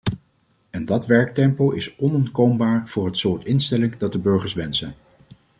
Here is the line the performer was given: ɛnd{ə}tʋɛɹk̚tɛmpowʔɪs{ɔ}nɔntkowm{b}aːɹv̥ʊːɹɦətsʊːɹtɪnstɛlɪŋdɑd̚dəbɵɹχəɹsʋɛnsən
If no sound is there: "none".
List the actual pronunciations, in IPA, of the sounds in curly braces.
ɑ, ɔ, b

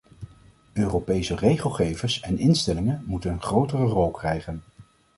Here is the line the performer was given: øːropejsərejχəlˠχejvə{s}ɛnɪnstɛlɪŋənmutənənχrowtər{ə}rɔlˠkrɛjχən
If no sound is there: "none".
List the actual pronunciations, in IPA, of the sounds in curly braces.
s, ə

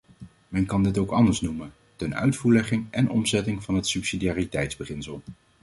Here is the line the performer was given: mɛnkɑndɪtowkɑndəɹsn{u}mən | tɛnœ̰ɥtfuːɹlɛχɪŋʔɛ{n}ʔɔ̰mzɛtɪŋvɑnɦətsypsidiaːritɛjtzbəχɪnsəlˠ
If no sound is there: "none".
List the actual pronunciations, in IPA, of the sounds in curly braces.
u, n

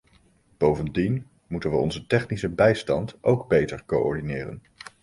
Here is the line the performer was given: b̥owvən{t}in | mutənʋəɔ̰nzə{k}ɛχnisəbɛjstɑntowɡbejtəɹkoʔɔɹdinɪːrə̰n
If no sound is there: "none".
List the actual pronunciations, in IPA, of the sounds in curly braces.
d, t

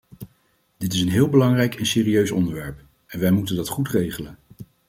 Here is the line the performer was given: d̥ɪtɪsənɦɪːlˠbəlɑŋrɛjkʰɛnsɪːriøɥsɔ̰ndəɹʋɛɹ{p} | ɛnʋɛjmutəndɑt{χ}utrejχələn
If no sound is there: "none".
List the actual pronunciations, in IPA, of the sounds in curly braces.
p, χ

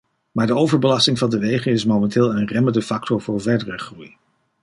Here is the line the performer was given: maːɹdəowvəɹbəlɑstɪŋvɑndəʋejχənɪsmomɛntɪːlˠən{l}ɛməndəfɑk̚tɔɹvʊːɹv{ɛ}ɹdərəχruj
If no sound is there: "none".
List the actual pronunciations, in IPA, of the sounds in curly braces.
r, ɛ

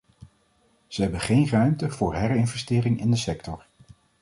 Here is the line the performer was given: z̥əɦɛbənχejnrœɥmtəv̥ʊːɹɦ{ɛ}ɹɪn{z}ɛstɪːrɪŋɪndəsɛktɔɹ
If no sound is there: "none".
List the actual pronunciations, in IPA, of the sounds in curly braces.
ɛ, v

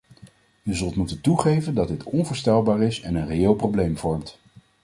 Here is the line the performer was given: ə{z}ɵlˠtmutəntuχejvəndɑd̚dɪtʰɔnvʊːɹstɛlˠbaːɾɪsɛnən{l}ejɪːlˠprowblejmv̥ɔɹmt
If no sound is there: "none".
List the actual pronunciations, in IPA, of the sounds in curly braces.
z, r

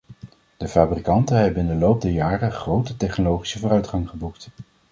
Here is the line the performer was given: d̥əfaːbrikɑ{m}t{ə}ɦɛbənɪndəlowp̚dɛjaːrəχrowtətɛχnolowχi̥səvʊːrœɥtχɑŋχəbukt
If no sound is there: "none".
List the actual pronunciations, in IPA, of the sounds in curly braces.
n, ə

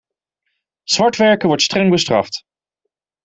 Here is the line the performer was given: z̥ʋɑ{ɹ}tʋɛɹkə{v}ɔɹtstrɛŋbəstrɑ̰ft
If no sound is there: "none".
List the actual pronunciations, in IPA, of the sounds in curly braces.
ɹ, ʋ

